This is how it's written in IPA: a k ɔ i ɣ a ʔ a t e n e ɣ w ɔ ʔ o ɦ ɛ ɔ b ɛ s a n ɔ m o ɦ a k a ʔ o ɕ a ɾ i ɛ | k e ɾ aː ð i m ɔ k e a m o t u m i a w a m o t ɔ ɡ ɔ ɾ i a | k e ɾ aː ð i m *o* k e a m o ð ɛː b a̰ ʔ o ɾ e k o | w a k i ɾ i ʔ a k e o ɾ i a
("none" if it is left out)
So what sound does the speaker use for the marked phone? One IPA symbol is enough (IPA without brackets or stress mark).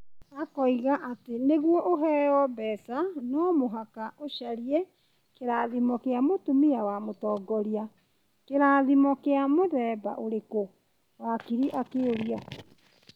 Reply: ɔ